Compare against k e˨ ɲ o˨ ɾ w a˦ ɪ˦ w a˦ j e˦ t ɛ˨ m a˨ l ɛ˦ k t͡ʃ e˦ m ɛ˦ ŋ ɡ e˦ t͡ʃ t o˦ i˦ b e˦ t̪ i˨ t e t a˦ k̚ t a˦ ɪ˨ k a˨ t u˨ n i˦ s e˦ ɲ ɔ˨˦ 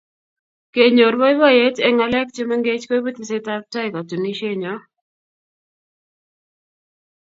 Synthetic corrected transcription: k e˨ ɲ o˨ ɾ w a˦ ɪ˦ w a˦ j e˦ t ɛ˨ ŋ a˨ l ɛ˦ k t͡ʃ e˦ m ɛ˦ ŋ ɡ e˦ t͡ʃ k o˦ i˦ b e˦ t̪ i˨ s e t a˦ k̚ t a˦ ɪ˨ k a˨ t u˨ n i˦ ʃ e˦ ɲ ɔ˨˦